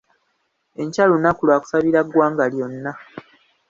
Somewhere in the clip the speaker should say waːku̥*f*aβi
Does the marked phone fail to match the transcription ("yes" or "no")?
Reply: yes